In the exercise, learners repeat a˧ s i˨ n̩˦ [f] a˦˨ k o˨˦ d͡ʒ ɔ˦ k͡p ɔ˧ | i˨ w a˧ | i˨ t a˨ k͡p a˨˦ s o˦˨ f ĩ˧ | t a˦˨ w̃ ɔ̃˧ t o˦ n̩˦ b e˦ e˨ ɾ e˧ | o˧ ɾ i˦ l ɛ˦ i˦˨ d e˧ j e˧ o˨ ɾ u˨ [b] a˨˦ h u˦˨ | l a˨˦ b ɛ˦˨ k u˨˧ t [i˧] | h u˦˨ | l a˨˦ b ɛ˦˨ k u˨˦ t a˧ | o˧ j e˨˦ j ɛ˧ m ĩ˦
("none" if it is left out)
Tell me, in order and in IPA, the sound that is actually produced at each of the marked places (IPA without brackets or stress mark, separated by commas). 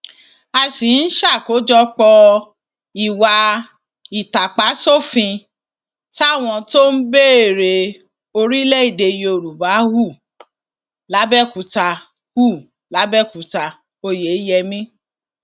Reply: ʃ, b, a˧